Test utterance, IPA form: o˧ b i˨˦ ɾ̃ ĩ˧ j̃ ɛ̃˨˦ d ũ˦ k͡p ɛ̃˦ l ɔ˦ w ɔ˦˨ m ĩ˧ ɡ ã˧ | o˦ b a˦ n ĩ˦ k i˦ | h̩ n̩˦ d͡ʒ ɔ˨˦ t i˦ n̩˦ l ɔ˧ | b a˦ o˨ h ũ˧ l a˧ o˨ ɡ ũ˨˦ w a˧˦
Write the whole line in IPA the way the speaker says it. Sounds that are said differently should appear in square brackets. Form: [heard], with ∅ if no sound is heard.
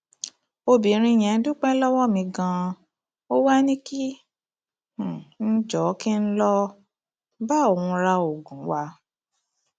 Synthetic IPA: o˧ b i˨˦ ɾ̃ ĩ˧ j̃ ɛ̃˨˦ d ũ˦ k͡p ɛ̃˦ l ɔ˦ w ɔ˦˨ m ĩ˧ ɡ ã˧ | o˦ [w] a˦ n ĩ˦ k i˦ | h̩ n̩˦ d͡ʒ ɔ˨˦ [k] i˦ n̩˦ l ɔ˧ | b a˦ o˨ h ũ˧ [ɾ] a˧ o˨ ɡ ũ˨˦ w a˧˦